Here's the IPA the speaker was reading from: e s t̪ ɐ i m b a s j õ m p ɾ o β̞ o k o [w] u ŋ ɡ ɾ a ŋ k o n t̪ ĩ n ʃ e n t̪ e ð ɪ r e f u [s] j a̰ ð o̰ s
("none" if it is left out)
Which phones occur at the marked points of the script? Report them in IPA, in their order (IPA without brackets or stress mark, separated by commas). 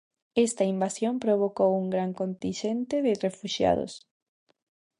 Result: w, ʃ